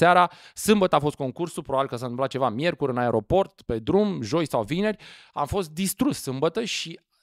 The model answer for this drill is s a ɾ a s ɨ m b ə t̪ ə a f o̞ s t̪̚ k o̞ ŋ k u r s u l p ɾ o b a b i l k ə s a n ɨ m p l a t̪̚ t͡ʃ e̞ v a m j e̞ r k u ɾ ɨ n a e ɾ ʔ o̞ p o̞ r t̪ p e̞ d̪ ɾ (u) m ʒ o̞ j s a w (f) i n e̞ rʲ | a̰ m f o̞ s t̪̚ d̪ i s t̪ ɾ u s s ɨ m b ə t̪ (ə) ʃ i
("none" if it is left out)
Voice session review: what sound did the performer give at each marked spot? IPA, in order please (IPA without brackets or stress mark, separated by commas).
u, v, ə